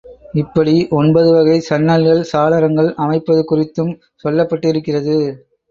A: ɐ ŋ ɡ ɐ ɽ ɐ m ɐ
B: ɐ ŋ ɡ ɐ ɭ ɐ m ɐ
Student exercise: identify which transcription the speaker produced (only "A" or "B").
B